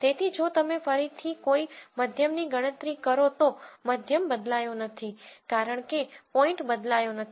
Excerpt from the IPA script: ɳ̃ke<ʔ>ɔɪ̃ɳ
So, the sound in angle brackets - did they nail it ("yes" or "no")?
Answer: no